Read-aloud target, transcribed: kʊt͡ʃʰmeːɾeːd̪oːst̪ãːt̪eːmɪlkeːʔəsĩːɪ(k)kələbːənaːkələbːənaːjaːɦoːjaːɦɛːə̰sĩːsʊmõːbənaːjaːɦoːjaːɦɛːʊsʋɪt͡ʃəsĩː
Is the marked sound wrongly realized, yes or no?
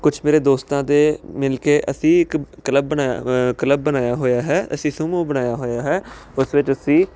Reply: no